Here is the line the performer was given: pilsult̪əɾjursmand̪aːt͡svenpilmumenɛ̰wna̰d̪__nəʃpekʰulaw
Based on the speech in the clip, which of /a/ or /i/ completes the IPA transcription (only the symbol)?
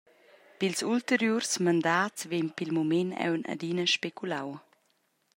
i